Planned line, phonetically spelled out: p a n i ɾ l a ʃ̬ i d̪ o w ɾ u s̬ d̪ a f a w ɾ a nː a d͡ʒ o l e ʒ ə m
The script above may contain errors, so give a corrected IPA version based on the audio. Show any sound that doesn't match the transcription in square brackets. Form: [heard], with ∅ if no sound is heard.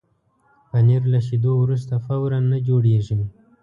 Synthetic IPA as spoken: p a n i ɾ l a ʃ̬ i d̪ o w ɾ u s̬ [t̪] a f a w ɾ a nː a d͡ʒ o [ɽ] e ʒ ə m